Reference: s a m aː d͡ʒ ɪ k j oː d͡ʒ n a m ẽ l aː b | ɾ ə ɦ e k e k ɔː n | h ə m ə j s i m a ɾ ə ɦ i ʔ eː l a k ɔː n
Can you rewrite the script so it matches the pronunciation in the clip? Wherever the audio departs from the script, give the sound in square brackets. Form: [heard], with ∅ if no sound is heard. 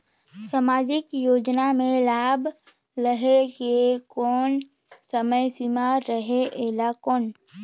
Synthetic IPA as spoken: s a m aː d͡ʒ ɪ k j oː d͡ʒ n a m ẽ l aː b | ɾ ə ɦ e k e k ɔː n | [s] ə m ə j s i m a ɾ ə ɦ [e] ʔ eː l a k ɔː n